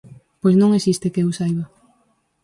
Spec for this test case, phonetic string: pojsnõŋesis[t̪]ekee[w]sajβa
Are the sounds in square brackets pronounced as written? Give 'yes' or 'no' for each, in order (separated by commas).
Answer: yes, yes